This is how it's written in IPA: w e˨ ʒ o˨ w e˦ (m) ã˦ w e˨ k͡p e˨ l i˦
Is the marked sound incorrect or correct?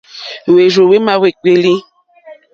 correct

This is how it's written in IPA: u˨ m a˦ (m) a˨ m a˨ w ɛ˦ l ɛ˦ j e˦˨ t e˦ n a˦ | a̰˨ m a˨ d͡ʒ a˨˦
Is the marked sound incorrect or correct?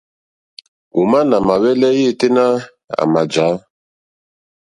incorrect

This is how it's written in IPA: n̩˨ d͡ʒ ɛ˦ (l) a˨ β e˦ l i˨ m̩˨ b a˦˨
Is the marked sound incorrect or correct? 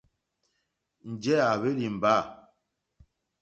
incorrect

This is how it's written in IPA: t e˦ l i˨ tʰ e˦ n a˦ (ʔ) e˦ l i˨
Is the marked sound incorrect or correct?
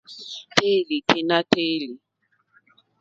incorrect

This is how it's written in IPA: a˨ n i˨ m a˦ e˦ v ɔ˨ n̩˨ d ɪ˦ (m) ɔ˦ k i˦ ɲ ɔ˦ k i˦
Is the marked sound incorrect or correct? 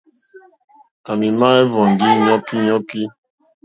incorrect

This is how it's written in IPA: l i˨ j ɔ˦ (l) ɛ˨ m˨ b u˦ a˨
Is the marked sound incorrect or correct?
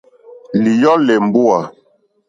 correct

